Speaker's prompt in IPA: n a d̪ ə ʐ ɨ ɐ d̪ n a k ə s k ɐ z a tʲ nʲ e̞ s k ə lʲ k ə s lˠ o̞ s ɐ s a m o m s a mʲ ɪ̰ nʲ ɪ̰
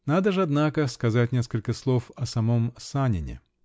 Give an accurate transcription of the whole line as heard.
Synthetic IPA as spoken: n a d̪ ə ʐ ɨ ɐ d̪ n a k ə s k ɐ z a tʲ nʲ e̞ s k ə lʲ k ə s lˠ o̞ f ɐ s ɐ m o m s a nʲ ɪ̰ nʲ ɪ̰